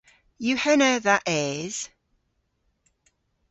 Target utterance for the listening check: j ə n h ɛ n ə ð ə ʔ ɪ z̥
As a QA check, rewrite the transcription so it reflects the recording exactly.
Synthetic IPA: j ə h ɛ n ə ð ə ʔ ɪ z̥